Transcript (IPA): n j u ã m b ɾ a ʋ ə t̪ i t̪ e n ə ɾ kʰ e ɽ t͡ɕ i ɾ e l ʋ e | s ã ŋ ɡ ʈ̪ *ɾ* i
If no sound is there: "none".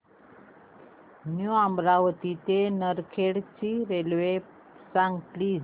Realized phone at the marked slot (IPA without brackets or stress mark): l